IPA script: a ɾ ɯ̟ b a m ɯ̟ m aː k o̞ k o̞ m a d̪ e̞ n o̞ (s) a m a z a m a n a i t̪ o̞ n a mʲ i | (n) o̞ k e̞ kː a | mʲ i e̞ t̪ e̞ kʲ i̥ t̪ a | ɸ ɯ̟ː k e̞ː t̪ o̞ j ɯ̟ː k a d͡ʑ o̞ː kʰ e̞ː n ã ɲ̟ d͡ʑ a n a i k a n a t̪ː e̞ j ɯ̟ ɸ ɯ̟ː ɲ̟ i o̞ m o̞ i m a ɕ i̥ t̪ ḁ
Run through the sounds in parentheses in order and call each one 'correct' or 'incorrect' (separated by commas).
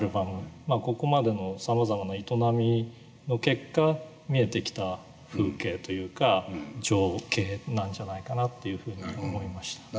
correct, correct